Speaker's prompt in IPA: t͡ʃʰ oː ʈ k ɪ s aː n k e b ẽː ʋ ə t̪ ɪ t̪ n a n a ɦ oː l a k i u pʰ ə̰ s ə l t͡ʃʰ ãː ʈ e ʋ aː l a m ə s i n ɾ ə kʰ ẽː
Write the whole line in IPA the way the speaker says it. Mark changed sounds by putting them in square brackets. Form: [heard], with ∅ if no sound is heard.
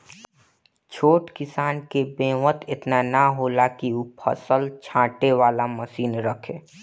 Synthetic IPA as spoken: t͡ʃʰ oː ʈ k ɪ s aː n k e b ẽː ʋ ə t̪ ɪ t̪ n a n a ɦ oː l a k i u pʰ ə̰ s ə l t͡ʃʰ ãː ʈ e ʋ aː l a m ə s [iː] n ɾ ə kʰ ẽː